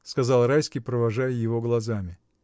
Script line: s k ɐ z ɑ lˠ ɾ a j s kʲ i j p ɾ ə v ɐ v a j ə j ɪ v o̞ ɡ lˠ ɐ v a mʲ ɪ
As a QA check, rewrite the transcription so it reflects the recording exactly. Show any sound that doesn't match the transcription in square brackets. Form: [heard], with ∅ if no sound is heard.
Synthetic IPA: s k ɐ z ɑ lˠ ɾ a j s kʲ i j p ɾ ə v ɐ [ʐ] a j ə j ɪ v o̞ ɡ lˠ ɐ [z] a mʲ ɪ